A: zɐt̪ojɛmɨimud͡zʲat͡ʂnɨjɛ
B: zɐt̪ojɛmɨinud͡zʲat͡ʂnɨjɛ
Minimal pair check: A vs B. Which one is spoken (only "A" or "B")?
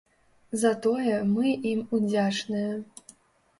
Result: A